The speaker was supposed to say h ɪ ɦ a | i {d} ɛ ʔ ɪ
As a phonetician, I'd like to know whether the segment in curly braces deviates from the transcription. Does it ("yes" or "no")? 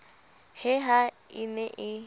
yes